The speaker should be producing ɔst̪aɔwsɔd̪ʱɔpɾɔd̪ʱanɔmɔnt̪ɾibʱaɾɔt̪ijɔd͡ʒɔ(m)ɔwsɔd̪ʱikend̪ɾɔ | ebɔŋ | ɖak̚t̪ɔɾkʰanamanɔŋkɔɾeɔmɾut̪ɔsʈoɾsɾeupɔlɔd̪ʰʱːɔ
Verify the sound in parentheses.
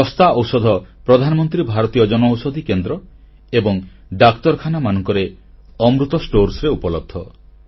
incorrect: n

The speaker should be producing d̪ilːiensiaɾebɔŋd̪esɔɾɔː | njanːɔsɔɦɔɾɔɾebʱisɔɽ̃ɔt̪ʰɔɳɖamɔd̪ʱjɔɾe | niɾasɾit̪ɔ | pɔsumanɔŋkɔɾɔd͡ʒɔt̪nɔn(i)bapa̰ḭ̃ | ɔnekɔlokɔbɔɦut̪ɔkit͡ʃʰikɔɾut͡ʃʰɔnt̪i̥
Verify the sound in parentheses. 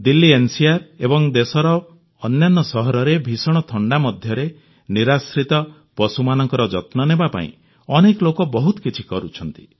incorrect: e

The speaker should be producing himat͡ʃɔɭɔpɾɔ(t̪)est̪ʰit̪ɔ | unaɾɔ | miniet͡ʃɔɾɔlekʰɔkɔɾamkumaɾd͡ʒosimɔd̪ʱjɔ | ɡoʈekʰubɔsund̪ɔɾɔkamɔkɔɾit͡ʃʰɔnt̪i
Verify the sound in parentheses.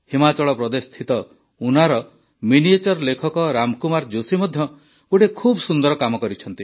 incorrect: d̪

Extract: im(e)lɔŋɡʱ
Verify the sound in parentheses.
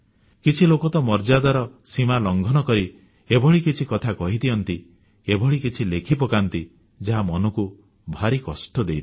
incorrect: a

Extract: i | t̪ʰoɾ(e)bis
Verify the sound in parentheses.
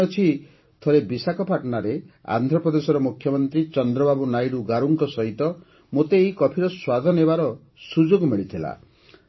correct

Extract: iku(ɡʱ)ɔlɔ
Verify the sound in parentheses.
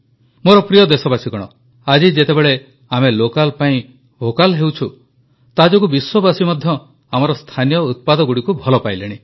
incorrect: bʱ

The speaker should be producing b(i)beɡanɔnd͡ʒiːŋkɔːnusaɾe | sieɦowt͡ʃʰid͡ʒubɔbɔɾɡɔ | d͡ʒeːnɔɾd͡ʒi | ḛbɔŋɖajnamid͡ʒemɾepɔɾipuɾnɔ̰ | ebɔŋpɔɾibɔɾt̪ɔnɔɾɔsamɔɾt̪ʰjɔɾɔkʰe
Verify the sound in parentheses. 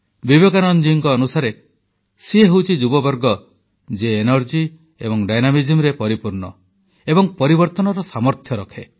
correct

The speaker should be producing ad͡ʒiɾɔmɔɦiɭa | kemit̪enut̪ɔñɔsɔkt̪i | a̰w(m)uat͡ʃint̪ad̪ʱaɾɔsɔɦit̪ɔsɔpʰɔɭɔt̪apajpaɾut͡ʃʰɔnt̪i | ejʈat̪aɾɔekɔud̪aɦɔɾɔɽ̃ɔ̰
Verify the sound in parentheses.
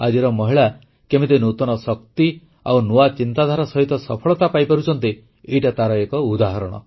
incorrect: n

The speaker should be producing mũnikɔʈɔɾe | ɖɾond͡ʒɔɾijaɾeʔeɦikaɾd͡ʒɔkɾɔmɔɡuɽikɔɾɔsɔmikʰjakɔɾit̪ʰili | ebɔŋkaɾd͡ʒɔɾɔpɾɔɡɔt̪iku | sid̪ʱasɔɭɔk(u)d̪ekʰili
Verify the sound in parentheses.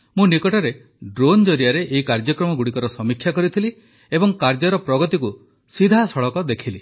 incorrect: ɔ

